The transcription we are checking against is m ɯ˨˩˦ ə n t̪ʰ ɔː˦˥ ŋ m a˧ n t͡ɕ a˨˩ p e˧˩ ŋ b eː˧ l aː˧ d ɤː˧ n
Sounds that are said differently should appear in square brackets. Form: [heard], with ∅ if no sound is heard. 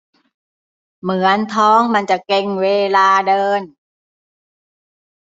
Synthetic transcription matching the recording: m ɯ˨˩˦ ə n t̪ʰ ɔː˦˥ ŋ m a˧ n t͡ɕ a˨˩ [k] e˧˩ ŋ [w] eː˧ l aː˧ d ɤː˧ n

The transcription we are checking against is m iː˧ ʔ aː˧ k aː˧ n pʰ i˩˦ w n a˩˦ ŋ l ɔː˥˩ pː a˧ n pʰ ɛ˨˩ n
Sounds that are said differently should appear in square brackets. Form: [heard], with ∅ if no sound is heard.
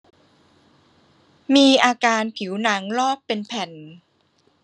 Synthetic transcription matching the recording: m iː˧ ʔ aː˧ k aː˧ n pʰ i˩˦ w n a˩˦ ŋ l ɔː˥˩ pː [e˧] n pʰ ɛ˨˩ n

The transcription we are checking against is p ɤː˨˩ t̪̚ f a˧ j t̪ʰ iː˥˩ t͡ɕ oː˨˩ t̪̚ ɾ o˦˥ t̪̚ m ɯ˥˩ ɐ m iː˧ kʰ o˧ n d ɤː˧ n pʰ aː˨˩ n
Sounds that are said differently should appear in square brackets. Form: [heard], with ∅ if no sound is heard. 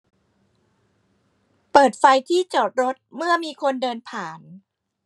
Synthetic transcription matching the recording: p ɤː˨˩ t̪̚ f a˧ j t̪ʰ iː˥˩ t͡ɕ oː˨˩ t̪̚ ɾ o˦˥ t̪̚ m ɯ˥˩ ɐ m iː˧ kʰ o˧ n d ɤː˧ n pʰ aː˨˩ n

